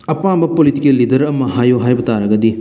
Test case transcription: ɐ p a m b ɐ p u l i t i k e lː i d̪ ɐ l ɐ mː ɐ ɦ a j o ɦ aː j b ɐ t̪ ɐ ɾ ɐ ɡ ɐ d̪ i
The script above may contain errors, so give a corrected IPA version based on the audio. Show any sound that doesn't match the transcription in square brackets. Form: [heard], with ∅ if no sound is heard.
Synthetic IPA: ɐ p a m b ɐ p [o] l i t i k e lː i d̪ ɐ [ɾ] ɐ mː ɐ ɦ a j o ɦ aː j b ɐ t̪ [a] ɾ ɐ ɡ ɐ d̪ i